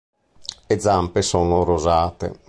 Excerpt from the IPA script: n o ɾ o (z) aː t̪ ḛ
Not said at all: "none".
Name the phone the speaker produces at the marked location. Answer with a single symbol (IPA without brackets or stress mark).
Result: z